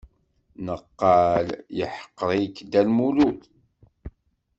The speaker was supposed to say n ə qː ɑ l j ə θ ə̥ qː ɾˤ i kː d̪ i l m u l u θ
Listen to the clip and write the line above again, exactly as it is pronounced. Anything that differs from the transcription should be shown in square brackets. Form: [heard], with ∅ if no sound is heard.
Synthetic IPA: n ə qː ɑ l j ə [ħ] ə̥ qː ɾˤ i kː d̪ [æ] l m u l u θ